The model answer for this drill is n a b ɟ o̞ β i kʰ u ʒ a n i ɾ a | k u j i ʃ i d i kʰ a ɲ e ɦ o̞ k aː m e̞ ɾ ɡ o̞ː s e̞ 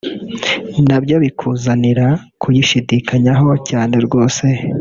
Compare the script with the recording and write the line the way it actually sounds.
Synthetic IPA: n a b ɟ o̞ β i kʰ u z a n i ɾ a | k u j i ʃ i d i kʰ a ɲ a ɦ o̞ c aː n e̞ ɾ ɡ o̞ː s e̞